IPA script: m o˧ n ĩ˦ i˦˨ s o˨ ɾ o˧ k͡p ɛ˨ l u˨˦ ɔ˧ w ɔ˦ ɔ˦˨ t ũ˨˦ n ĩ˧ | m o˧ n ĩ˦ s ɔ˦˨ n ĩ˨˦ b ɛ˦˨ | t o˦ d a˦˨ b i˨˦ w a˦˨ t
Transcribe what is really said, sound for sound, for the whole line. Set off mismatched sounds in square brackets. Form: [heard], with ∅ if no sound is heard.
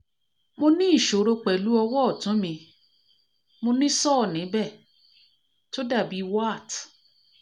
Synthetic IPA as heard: m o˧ n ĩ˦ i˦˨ [ʃ] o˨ ɾ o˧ k͡p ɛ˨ l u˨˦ ɔ˧ w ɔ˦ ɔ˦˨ t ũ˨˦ [m] ĩ˧ | m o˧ n ĩ˦ s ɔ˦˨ n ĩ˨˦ b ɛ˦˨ | t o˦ d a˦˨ b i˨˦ w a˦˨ t